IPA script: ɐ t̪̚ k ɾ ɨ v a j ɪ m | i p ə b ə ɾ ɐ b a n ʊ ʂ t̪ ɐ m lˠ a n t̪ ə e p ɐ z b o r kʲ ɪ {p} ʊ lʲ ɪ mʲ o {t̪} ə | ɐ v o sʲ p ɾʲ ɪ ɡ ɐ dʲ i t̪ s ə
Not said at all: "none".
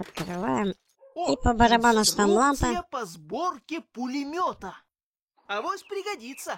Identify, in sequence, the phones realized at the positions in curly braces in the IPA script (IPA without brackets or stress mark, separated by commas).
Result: p, t̪